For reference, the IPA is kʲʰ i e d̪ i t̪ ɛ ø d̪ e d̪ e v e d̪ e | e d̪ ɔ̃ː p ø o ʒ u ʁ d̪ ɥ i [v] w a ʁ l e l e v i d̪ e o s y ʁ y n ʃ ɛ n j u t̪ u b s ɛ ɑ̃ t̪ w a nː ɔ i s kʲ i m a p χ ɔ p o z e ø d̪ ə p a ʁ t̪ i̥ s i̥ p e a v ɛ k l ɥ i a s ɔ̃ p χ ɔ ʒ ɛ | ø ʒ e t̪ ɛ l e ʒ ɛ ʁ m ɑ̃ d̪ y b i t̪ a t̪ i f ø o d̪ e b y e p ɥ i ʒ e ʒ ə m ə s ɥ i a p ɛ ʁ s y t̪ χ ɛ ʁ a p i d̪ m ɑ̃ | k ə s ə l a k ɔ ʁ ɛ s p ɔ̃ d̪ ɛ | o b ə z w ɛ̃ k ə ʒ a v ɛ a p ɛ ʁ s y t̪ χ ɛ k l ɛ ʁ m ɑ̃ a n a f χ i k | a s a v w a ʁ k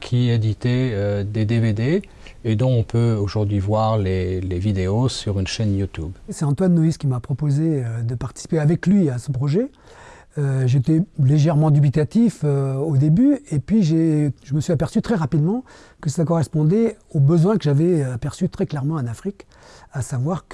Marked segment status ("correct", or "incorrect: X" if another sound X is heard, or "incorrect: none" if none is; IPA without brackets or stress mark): correct